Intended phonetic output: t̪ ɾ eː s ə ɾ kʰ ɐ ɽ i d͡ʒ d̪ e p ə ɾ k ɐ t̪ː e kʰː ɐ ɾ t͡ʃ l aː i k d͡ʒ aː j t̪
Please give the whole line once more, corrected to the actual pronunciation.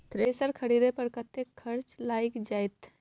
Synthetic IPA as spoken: t̪ ɾ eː s ə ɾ kʰ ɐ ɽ i d̪ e p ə ɾ k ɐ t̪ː e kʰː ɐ ɾ t͡ʃ l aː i k d͡ʒ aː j t̪